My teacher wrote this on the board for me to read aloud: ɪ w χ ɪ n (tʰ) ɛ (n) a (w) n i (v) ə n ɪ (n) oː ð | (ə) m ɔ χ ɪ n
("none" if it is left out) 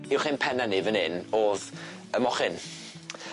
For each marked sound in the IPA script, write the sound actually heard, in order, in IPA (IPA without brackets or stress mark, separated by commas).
pʰ, n, none, v, n, ə